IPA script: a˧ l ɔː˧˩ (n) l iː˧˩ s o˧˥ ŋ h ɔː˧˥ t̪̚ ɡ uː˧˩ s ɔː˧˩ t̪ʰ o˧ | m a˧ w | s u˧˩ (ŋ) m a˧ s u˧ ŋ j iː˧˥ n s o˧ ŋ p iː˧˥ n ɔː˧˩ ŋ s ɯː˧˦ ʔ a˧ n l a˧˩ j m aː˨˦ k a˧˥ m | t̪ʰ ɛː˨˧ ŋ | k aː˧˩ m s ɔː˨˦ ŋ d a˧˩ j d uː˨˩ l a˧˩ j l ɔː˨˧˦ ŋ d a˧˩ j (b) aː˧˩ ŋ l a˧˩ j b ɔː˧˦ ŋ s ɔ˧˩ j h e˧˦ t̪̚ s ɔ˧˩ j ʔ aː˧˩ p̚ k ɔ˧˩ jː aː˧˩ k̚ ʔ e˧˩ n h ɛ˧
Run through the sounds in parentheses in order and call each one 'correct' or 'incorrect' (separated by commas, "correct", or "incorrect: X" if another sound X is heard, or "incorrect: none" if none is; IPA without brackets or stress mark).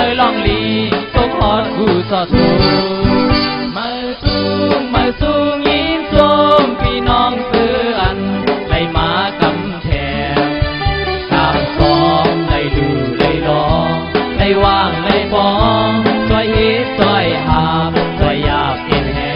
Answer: incorrect: ŋ, correct, incorrect: w